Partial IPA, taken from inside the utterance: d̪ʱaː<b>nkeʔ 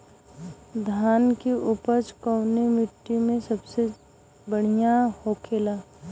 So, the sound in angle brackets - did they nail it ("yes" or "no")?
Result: no